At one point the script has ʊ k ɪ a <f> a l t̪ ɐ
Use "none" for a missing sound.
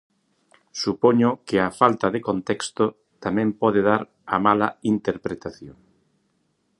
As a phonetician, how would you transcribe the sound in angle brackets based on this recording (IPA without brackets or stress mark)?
f